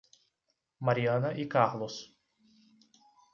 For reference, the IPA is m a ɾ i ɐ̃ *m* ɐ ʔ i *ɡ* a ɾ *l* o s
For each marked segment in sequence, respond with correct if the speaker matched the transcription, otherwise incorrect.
incorrect: n, incorrect: k, correct

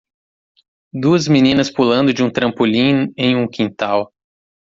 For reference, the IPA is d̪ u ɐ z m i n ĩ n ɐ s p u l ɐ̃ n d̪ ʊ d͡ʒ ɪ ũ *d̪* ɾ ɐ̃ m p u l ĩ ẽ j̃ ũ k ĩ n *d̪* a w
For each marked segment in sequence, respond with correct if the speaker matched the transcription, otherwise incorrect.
incorrect: t̪, incorrect: t̪

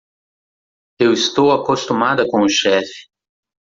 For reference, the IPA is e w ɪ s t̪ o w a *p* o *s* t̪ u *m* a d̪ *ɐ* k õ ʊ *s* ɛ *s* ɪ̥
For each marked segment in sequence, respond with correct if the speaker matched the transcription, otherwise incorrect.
incorrect: k, correct, correct, correct, incorrect: ʃ, incorrect: f

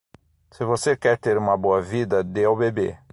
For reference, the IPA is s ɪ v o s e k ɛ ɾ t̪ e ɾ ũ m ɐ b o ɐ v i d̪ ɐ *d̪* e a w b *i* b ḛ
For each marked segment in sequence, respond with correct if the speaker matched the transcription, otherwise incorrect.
correct, incorrect: e

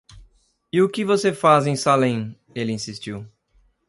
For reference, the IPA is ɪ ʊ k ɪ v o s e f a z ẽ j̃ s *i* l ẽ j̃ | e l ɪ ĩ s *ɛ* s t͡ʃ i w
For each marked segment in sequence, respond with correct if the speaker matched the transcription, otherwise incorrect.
incorrect: a, incorrect: i

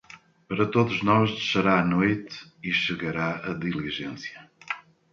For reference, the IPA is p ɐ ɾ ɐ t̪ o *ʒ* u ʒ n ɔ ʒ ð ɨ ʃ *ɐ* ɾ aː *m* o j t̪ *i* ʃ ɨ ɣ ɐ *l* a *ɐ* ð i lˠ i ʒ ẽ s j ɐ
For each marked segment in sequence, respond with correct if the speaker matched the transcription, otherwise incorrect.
incorrect: ð, correct, incorrect: n, correct, incorrect: ɾ, correct

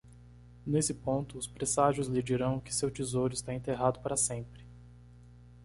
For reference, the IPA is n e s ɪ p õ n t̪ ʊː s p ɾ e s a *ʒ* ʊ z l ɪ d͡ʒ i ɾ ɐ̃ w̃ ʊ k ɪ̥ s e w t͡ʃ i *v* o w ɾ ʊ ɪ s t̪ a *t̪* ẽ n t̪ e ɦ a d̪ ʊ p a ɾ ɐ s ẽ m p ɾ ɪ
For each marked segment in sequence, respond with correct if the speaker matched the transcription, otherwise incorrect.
correct, incorrect: z, incorrect: none

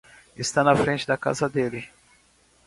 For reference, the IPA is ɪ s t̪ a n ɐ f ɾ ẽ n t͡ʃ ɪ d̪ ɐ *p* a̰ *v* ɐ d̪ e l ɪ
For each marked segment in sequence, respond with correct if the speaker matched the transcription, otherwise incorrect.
incorrect: k, incorrect: z

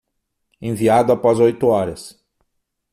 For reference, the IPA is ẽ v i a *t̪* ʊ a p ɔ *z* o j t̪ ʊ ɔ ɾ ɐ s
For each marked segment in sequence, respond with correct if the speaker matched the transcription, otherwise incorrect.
incorrect: d̪, correct

